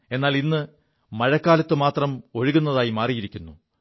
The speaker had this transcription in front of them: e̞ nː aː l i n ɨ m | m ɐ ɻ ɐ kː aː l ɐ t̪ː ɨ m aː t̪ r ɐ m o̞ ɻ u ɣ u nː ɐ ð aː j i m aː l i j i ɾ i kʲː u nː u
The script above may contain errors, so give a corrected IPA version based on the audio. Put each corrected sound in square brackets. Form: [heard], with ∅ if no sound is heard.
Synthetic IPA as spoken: e̞ nː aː l i [nː] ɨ [∅] | m ɐ ɻ ɐ kː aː l ɐ t̪ː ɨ m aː t̪ r ɐ m o̞ ɻ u ɣ u nː ɐ ð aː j i m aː [r] i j i ɾ i kʲː u nː u